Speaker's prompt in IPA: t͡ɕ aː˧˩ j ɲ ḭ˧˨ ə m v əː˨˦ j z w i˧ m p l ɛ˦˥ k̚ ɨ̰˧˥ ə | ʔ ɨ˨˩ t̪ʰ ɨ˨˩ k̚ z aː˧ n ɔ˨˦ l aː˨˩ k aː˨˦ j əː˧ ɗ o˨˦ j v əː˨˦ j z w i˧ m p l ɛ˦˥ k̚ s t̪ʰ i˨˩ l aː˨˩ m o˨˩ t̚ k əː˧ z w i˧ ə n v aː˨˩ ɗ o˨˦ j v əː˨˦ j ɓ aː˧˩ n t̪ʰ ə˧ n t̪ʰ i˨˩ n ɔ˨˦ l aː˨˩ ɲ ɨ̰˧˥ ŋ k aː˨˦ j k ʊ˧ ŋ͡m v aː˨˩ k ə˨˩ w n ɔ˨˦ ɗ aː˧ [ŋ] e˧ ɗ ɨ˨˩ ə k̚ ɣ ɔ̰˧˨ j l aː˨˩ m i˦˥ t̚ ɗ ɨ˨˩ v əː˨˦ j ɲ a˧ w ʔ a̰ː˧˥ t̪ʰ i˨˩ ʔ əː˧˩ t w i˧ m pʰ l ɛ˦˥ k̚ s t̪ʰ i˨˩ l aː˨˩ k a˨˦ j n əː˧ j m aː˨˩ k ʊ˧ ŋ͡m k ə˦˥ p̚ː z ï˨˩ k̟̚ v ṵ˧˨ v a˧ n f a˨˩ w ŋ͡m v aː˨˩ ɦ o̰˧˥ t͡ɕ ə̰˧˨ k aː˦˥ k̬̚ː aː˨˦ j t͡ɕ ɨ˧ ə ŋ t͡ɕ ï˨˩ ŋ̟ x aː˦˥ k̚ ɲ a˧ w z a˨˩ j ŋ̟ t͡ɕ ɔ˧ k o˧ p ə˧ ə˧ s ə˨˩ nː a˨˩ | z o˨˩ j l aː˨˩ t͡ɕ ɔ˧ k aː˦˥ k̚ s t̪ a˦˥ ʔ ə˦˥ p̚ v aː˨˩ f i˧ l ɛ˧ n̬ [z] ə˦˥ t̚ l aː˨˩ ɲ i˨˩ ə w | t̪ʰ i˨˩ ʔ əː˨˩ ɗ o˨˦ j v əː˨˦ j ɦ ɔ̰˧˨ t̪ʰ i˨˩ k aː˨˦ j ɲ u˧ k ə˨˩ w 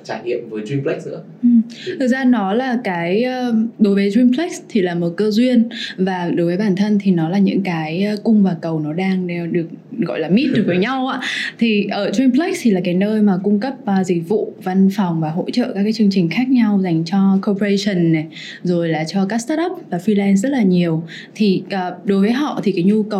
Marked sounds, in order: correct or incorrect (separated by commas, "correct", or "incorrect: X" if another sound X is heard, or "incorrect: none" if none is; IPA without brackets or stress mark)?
correct, correct